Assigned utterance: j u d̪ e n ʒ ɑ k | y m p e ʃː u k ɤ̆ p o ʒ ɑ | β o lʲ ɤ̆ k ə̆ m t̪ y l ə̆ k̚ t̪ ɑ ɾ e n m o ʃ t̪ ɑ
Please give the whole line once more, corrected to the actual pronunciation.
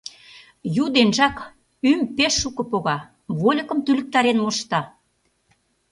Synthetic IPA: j u d̪ e n ʒ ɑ k | y m p e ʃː u k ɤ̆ p o ɣ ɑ | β o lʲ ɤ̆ k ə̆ m t̪ y l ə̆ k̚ t̪ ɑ ɾ e n m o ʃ t̪ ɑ